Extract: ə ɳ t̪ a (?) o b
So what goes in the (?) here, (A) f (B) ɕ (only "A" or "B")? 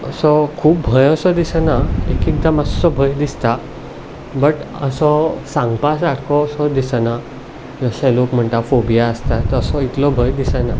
A